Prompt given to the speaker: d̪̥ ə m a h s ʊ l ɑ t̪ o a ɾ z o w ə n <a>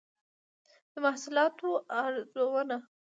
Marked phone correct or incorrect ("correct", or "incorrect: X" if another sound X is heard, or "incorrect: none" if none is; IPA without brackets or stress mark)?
correct